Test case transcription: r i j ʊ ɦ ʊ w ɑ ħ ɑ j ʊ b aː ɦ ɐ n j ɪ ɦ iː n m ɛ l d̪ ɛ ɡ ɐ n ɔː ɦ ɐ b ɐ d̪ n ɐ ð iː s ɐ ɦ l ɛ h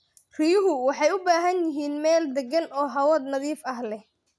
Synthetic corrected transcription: r i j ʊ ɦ ʊ w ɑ ħ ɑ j ʊ b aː ɦ ɐ n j ɪ ɦ iː n m ɛː l d̪ ɛ ɡ ɐ n ɔː ɦ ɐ w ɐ d̪ n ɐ ð iː f ɐ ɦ l ɛ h